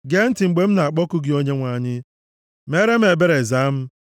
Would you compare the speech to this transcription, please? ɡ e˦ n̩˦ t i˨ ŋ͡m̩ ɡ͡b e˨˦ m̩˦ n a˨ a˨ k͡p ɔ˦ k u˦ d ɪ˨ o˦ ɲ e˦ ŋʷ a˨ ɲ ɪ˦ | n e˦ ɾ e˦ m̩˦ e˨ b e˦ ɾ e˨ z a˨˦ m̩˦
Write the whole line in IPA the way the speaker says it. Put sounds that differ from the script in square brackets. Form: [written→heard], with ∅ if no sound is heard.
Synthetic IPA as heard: ɡ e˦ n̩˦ t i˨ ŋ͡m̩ ɡ͡b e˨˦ m̩˦ n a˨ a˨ k͡p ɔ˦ k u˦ [d→ɡ] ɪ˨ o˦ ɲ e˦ ŋʷ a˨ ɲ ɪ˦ | [n→m] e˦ ɾ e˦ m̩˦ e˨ b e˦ ɾ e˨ z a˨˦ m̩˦